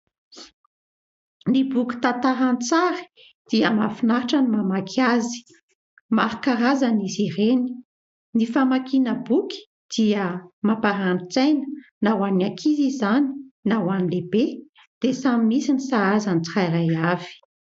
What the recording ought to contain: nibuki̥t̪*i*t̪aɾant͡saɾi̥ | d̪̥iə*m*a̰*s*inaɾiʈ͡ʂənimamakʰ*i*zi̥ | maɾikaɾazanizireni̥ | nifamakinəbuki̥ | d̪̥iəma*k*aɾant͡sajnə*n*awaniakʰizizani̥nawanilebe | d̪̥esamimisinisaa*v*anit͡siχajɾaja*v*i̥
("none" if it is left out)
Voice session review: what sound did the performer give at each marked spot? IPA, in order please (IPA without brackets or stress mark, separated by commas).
a, m, f, a, p, n, z, v